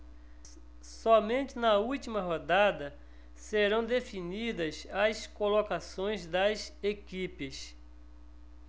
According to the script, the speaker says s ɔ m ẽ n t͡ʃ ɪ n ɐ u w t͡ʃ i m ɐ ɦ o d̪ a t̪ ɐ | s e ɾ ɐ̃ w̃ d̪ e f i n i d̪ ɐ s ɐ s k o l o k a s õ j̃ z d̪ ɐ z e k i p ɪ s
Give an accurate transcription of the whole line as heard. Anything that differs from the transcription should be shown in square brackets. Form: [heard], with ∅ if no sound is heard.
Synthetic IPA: s ɔ m ẽ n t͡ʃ ɪ n ɐ u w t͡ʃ i m ɐ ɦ o d̪ a [d̪] ɐ | s e ɾ ɐ̃ w̃ d̪ e f i n i d̪ ɐ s ɐ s k o l o k a s õ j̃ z d̪ ɐ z e k i p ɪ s